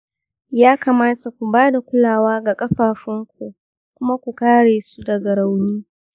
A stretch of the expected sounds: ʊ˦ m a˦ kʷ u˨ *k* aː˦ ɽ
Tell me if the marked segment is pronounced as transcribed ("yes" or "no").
yes